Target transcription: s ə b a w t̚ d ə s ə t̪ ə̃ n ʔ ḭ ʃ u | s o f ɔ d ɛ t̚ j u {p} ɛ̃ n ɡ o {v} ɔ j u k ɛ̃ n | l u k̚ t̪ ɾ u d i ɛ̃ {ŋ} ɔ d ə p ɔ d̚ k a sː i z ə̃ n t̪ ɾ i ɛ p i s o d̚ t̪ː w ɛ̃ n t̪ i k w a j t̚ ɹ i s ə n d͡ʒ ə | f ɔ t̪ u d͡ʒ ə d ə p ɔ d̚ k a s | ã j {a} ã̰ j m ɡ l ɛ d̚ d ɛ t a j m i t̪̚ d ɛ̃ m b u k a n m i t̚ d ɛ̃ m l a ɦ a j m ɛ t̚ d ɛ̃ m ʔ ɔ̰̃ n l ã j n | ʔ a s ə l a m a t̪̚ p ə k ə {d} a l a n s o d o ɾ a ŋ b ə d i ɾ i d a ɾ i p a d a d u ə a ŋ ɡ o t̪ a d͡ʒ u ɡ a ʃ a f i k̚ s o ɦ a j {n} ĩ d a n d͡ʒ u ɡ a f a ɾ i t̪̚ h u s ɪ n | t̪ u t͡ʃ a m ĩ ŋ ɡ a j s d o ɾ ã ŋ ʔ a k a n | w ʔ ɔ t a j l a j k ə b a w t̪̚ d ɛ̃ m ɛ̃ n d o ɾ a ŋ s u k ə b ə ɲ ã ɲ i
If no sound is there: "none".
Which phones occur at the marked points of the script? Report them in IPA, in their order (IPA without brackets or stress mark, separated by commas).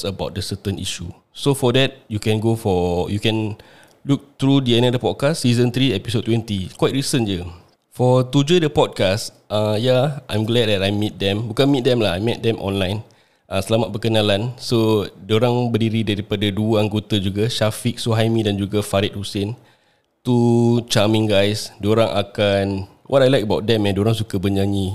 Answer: k, f, n, a, n, m